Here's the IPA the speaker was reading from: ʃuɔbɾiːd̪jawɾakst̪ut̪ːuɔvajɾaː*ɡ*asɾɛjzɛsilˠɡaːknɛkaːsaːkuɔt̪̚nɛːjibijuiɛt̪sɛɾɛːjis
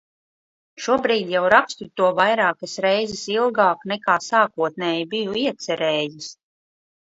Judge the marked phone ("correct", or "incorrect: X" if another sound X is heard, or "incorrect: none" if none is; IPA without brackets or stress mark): incorrect: k